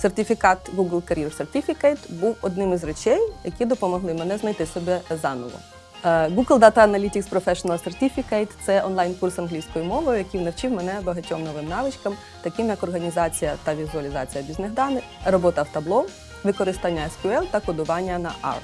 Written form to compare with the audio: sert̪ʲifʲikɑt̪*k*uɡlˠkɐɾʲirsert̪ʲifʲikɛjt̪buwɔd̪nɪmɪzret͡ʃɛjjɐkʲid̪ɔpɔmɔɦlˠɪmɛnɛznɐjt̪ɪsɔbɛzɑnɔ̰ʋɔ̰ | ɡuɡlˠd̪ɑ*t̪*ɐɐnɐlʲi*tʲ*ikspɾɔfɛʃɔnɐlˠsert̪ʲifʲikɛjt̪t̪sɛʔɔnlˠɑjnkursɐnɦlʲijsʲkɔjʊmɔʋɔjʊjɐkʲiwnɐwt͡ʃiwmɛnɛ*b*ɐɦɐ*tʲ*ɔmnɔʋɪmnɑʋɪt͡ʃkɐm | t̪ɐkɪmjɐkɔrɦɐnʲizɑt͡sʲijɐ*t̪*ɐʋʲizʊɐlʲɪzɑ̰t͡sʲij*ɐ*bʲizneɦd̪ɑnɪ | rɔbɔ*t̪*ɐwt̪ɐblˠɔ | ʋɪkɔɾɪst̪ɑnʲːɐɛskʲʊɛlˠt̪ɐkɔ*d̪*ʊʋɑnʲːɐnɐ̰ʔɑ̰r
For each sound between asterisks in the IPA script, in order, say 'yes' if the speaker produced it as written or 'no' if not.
no, yes, yes, yes, yes, yes, yes, yes, yes

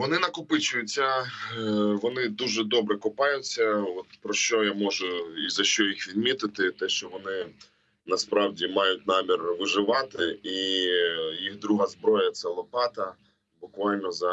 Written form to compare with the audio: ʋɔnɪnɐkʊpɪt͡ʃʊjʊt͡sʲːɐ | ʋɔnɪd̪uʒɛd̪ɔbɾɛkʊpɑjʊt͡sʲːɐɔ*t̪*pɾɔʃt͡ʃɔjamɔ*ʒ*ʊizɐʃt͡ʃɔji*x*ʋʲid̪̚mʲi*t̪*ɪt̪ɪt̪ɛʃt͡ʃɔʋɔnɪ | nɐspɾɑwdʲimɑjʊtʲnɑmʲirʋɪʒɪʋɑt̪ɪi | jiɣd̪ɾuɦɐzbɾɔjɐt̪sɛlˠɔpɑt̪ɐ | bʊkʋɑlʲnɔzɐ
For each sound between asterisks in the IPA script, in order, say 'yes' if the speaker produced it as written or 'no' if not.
yes, yes, yes, yes

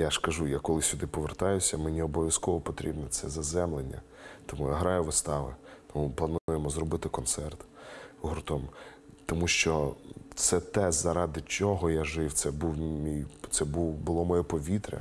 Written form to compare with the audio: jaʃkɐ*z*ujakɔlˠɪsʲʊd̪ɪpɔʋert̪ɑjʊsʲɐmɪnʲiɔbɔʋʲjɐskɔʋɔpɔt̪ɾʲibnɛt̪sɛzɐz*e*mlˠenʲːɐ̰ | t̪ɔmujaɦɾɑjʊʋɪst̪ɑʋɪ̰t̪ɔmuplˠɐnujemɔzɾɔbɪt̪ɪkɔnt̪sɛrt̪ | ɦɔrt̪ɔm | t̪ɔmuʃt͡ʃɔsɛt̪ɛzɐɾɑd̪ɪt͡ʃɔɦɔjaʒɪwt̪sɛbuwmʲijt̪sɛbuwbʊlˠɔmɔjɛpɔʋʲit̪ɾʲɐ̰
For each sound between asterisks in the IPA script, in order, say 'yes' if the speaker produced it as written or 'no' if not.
no, no

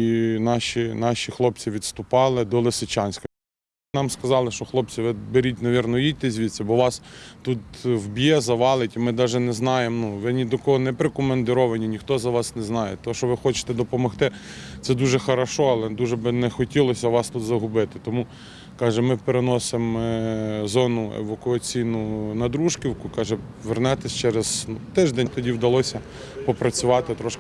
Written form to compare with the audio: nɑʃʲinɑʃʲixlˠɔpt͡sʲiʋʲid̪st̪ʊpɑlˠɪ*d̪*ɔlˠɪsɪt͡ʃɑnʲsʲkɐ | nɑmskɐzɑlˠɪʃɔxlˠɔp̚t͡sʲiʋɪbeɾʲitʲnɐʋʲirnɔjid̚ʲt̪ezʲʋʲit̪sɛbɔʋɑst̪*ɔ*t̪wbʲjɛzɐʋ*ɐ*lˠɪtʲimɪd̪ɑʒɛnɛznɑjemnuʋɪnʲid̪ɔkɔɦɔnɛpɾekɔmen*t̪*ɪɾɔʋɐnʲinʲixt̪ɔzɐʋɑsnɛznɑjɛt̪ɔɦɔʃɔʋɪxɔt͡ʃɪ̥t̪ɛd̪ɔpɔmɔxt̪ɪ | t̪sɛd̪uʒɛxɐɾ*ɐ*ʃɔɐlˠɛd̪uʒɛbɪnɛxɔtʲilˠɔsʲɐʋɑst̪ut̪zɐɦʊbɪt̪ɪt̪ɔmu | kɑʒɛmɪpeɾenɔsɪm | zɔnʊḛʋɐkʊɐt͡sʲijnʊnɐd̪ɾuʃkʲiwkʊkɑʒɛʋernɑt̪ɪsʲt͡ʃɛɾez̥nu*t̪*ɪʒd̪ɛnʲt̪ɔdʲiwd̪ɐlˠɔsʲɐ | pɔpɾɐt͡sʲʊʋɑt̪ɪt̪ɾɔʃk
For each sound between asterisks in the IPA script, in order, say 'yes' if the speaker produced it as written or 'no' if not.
yes, no, no, no, yes, yes

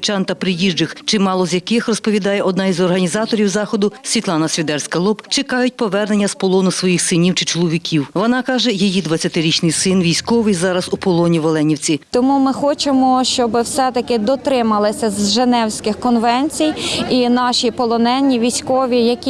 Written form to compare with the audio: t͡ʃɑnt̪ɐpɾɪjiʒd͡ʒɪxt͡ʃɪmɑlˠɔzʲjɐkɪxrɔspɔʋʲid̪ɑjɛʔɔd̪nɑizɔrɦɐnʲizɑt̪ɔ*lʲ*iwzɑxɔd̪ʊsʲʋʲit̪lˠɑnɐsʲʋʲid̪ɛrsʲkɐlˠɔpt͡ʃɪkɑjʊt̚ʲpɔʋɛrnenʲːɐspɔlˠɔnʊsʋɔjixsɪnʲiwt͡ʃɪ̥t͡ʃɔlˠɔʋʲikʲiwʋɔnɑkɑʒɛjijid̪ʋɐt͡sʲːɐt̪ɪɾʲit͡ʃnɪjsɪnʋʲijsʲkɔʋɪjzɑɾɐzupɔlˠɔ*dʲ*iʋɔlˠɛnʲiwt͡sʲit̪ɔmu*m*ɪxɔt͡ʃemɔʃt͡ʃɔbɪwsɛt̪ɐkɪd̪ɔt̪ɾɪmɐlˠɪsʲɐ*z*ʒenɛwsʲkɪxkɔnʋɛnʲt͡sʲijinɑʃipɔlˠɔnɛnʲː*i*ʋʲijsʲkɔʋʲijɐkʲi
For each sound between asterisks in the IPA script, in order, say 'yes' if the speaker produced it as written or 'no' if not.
no, no, yes, yes, yes

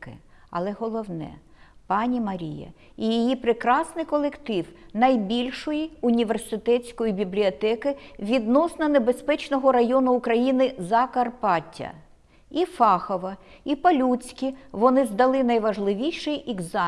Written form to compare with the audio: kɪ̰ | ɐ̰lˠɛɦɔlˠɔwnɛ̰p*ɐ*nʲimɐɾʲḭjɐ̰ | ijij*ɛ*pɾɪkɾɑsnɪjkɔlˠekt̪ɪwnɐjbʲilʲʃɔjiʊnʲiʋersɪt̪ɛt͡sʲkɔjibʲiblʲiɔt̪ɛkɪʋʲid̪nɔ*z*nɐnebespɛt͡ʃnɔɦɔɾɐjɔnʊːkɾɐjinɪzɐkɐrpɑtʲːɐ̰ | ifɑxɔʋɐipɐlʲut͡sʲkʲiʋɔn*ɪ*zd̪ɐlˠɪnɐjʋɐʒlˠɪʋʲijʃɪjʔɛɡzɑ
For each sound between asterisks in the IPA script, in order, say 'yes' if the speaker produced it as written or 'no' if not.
no, no, no, yes

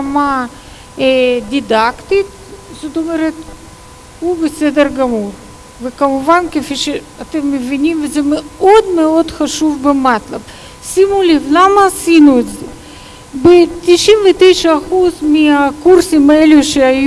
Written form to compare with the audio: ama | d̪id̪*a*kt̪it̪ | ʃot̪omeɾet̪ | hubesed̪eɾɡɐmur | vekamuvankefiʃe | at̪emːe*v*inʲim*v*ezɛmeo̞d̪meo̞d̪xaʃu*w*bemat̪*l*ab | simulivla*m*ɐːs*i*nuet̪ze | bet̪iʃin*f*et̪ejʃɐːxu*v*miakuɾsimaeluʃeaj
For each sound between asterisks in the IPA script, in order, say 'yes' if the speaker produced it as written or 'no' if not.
yes, yes, yes, no, yes, yes, yes, no, no

